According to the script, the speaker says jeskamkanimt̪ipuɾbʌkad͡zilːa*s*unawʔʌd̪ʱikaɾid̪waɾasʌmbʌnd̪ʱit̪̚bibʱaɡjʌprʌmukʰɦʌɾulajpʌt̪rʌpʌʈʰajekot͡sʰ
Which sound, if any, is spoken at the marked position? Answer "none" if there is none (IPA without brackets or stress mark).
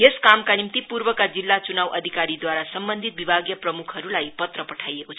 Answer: t͡s